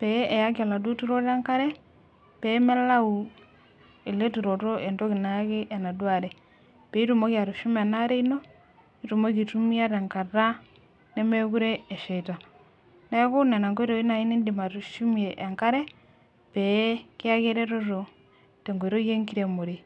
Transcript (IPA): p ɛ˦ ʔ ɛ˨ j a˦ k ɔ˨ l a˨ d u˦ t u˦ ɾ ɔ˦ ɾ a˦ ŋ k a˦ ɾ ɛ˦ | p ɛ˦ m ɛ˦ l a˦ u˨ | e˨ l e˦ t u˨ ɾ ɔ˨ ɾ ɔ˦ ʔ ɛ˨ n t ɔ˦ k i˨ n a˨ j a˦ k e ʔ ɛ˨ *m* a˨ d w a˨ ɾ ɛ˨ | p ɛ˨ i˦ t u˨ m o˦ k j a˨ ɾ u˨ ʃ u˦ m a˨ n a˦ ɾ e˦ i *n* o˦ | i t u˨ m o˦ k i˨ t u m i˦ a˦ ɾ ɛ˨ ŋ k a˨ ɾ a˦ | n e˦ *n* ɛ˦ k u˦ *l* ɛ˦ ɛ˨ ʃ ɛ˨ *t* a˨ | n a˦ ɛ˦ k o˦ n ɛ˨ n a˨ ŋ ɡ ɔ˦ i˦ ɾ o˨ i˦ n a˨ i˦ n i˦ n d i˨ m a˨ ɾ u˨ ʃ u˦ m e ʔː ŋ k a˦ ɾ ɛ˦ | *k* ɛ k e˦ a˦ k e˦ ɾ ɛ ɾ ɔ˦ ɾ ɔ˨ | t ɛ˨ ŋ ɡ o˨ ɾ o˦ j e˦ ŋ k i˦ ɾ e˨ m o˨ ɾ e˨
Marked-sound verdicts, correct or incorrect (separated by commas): incorrect, correct, incorrect, incorrect, correct, incorrect